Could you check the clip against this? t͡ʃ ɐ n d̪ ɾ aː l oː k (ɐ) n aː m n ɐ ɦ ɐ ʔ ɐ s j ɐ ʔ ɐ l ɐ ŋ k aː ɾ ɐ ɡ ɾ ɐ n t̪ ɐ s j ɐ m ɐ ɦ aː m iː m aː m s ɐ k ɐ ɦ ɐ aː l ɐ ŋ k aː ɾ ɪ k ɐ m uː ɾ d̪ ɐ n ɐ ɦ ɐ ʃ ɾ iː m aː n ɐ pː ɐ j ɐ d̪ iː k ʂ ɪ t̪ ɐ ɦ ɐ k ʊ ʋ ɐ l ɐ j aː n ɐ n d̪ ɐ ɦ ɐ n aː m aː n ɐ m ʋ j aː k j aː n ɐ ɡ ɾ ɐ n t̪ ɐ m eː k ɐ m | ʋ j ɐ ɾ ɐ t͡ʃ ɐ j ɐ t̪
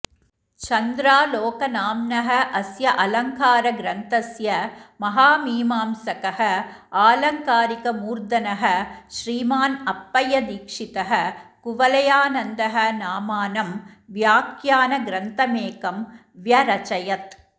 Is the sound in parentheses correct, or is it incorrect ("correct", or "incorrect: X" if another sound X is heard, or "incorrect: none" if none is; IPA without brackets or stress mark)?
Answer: correct